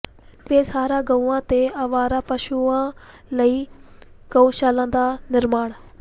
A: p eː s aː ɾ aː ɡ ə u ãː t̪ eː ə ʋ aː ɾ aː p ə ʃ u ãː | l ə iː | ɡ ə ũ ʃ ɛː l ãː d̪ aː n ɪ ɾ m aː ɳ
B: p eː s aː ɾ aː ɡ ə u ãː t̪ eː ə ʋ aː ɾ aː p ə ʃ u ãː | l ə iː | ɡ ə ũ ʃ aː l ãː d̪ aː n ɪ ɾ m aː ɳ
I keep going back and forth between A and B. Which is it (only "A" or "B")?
B